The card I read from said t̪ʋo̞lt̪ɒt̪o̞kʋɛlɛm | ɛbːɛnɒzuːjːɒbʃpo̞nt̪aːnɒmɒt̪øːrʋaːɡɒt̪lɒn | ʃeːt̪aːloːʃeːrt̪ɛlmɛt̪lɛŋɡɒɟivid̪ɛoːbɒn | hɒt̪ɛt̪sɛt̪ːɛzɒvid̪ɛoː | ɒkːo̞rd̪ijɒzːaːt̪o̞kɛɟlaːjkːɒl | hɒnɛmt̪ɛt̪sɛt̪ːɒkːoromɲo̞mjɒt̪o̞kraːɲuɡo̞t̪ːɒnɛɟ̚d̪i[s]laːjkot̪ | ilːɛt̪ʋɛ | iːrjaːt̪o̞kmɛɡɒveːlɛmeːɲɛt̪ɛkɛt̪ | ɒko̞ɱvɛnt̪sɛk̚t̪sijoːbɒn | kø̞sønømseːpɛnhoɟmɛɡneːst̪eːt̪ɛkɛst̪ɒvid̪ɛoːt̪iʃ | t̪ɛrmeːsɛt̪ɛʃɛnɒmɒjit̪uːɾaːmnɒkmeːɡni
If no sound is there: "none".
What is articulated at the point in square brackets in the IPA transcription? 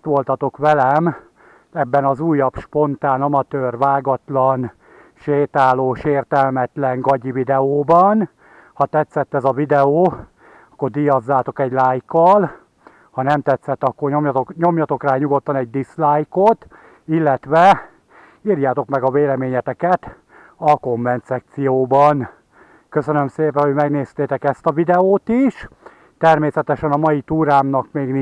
s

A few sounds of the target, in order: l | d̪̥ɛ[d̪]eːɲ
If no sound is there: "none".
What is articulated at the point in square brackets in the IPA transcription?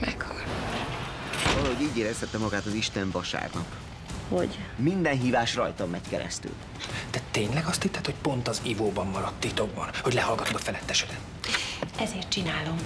t̪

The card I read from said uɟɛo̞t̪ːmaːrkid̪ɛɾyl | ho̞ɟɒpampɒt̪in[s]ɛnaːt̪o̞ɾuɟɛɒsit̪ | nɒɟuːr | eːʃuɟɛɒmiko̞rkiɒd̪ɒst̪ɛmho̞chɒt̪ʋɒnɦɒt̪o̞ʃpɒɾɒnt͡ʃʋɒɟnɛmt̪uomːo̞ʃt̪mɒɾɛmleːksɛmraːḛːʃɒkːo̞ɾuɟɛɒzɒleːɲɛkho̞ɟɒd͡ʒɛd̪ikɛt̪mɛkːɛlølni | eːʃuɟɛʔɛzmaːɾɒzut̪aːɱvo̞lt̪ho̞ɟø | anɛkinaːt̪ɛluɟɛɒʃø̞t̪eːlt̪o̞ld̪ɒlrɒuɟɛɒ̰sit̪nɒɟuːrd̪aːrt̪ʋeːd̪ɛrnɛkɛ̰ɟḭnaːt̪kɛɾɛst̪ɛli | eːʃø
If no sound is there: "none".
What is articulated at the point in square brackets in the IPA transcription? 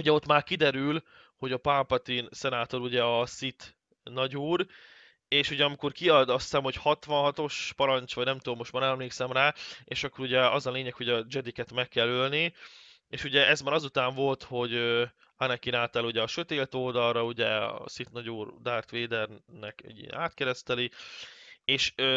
s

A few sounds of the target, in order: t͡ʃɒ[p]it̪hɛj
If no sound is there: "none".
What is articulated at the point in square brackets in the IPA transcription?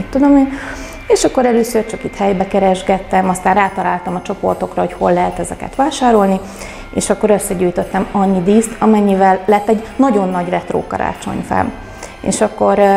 k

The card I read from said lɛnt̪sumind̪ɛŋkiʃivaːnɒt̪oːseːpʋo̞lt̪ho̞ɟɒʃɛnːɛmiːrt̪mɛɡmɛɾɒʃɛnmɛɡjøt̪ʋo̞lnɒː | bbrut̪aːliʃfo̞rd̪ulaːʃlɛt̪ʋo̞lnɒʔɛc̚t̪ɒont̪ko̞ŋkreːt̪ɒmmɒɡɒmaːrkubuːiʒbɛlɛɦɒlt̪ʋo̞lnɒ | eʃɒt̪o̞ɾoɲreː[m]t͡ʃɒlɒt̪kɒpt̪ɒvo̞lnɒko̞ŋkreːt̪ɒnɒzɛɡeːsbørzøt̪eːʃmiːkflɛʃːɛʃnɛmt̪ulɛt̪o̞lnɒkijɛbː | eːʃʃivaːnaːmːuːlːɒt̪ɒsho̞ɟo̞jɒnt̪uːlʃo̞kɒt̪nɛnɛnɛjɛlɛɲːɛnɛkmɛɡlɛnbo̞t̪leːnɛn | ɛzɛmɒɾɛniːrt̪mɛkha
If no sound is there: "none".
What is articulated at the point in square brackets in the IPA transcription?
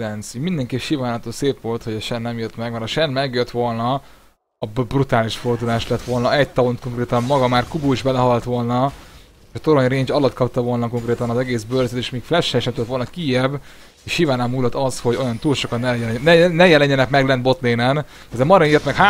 ɲ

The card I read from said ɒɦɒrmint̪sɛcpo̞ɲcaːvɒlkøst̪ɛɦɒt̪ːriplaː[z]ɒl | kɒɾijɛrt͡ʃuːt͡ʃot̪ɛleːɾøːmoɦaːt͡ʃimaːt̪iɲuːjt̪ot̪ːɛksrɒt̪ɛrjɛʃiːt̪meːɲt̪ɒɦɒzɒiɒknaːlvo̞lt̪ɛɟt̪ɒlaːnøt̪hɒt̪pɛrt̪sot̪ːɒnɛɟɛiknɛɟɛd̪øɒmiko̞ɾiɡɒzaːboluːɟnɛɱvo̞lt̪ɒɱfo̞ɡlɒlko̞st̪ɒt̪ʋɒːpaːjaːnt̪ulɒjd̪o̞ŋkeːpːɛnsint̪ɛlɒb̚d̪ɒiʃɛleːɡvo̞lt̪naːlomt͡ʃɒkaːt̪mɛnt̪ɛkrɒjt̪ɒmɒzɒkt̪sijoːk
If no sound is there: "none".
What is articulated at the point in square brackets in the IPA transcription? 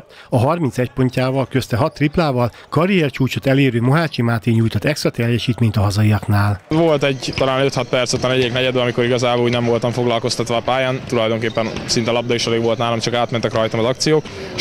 v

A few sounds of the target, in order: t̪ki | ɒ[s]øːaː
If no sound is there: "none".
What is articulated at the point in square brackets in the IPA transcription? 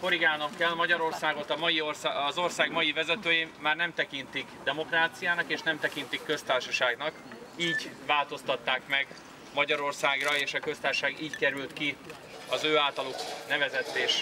z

